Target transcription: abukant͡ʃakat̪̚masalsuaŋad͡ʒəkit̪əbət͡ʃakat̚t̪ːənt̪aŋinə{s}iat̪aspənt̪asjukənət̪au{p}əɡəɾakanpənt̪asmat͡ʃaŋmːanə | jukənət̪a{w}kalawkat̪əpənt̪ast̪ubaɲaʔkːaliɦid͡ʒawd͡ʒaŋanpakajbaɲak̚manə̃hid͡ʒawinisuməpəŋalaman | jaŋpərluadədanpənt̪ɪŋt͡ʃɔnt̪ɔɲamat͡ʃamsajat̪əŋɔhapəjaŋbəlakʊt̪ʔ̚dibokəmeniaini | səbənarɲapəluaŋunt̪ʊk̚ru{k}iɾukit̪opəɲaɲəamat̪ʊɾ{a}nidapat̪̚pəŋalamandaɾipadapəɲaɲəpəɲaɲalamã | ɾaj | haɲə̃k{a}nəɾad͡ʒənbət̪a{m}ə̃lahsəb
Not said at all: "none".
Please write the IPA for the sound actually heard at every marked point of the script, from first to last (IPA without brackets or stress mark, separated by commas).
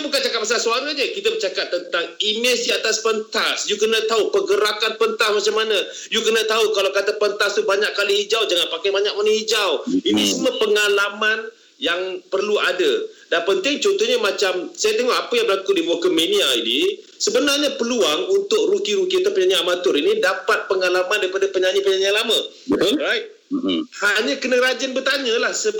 s, p, u, k, i, ə, ɲ